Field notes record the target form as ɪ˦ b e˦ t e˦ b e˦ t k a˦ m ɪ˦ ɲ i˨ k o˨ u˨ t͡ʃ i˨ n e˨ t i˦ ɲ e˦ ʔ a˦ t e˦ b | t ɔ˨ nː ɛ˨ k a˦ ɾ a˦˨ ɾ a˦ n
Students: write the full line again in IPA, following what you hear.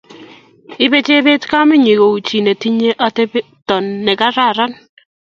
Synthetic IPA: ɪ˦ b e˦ t͡ʃ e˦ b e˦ t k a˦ m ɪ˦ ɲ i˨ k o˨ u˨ t͡ʃ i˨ n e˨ t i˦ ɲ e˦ ʔ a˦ t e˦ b | t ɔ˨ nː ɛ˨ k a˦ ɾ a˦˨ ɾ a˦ n